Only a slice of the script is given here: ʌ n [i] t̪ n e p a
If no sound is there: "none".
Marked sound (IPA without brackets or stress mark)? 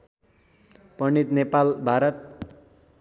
i